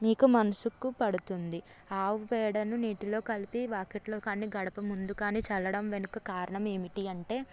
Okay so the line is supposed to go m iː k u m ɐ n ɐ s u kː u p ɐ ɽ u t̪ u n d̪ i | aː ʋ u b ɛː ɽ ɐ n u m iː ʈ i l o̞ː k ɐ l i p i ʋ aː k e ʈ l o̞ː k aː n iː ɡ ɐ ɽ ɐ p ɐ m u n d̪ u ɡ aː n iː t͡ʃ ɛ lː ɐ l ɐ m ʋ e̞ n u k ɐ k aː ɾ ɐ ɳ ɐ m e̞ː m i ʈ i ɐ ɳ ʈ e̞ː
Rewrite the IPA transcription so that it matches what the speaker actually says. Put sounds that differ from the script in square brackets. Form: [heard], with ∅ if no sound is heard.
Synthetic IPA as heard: m iː k u m ɐ n ɐ s u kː u p ɐ ɽ u t̪ u n d̪ i | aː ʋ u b ɛː ɽ ɐ n u [n] iː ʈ i l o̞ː k ɐ l i p i ʋ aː k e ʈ l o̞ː k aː n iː ɡ ɐ ɽ ɐ p ɐ m u n d̪ u [k] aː n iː t͡ʃ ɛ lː ɐ [ɽ] ɐ m ʋ e̞ n u k ɐ k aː ɾ ɐ ɳ ɐ m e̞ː m i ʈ i ɐ ɳ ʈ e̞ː